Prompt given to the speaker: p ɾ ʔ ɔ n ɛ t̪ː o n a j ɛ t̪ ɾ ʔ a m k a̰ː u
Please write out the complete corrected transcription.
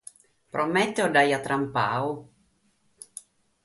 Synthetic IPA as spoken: p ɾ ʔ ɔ m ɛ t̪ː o d a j a t̪ ɾ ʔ a m p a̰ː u